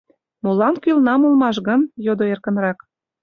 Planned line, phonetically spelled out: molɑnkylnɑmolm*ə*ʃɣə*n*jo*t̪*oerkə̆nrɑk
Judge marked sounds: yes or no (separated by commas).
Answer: no, yes, no